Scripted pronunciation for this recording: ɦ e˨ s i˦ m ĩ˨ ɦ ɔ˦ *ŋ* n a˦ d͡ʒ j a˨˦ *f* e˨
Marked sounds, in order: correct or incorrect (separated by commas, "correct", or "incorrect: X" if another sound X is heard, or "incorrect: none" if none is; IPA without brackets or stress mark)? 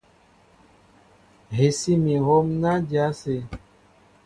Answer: incorrect: m, incorrect: s